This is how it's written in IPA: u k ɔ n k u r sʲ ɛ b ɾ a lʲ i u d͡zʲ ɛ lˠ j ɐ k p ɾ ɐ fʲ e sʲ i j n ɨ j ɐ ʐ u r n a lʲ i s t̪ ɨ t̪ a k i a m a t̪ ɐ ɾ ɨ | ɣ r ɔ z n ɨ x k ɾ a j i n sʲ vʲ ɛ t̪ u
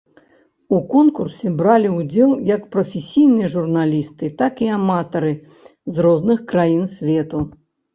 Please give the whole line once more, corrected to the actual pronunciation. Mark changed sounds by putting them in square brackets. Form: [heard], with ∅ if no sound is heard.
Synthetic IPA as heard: u k ɔ n k u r sʲ ɛ b ɾ a lʲ i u d͡zʲ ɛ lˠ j ɐ k p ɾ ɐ fʲ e sʲ i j n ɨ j ɐ ʐ u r n a lʲ i s t̪ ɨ t̪ a k i a m a t̪ ɐ ɾ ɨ | [z] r ɔ z n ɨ x k ɾ a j i n sʲ vʲ ɛ t̪ u